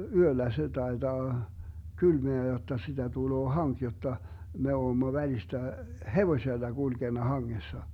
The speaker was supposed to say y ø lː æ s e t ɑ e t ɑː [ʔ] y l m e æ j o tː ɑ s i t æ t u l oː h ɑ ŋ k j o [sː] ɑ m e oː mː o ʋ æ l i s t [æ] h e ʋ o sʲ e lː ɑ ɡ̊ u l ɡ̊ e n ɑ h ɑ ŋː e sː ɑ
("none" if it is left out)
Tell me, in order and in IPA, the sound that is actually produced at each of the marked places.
k, tː, æ

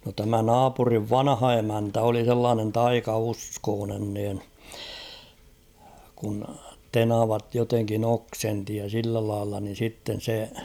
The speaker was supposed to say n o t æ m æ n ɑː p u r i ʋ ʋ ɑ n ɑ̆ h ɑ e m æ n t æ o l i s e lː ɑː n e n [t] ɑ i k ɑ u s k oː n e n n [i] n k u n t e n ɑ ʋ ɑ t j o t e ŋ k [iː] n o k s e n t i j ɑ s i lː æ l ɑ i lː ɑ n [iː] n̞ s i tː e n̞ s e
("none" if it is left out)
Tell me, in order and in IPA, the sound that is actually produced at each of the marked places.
t, iː, i, i

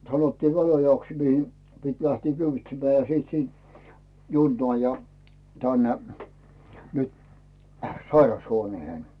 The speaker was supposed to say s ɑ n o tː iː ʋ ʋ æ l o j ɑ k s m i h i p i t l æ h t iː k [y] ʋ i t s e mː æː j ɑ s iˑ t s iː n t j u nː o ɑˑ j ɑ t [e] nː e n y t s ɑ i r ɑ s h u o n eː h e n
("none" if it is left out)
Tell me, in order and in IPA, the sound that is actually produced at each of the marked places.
y, æ

